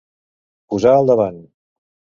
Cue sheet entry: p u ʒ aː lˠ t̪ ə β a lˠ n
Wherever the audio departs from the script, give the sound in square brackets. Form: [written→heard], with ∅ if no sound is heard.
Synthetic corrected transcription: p u [ʒ→z] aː lˠ [t̪→d̪] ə β a [lˠ→∅] n

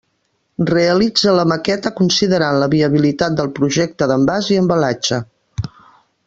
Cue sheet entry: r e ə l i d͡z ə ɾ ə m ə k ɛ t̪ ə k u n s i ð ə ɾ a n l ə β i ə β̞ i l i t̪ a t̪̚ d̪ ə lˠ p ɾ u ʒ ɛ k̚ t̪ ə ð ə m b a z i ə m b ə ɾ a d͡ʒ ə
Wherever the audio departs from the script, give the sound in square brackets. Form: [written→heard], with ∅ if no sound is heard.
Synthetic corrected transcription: r e ə l i d͡z ə [ɾ→l] ə m ə k ɛ t̪ ə k u n s i ð ə ɾ a n l ə β i ə β̞ i l i t̪ a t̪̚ d̪ ə lˠ p ɾ u ʒ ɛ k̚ t̪ ə ð ə m b a z i ə m b ə [ɾ→l] a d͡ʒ ə

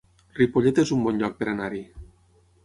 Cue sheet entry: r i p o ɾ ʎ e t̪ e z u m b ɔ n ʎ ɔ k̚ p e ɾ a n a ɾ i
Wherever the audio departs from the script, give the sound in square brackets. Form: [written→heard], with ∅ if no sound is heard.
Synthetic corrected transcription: r i p o [ɾ→∅] ʎ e t̪ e z u m b ɔ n ʎ ɔ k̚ p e ɾ a n a ɾ i

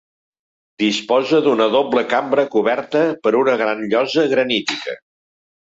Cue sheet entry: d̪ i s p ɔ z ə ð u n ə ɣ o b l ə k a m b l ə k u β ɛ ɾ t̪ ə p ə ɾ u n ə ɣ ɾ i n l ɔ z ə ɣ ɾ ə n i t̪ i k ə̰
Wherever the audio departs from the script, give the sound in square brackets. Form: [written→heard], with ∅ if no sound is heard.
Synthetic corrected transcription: d̪ i s p ɔ z ə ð u n ə [ɣ→ð] o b l ə k a m b [l→ɾ] ə k u β ɛ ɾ t̪ ə p ə ɾ u n ə ɣ ɾ [i→a] n [l→ʎ] ɔ z ə ɣ ɾ ə n i t̪ i k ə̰

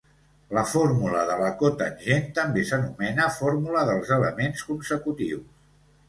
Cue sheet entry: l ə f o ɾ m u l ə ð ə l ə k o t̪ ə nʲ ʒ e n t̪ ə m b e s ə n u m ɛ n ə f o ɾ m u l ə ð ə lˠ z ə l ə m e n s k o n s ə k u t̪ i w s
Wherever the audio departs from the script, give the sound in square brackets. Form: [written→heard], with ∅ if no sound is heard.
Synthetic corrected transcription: l ə f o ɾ m u l ə ð ə l ə k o t̪ ə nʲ ʒ e n t̪ ə m b e s ə n u m ɛ n ə f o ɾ m u l ə ð ə lˠ z ə l ə m e n s k [o→u] n s ə k u t̪ i w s

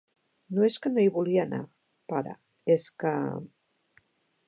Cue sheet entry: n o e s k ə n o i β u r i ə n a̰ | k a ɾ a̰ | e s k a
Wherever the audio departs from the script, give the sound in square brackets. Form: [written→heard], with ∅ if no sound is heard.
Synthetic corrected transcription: n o e s k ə n o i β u [r→l] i [ə→a] n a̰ | [k→p] a ɾ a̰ | e s k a

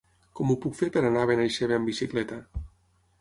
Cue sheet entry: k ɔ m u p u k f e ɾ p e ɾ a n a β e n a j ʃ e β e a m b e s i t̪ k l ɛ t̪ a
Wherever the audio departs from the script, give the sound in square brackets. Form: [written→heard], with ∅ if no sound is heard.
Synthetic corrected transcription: k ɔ m u p u k f e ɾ p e ɾ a n a β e n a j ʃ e β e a m b [e→i] s i [t̪→∅] k l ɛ t̪ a

